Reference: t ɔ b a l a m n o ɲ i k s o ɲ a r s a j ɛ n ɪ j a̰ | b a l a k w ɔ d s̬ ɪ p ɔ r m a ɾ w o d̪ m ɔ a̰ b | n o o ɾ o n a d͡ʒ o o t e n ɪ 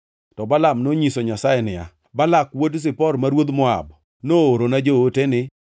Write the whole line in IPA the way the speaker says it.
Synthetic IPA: t ɔ b a l a m n o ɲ i s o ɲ a s a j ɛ n ɪ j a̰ | b a l a k w o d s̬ ɪ p ɔ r m a ɾ w o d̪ m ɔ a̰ b | n o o ɾ o n a d͡ʒ o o t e n ɪ